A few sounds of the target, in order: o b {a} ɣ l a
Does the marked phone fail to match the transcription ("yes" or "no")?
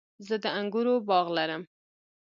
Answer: yes